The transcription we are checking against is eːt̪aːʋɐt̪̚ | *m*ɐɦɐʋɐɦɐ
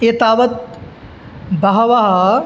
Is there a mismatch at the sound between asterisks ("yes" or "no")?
yes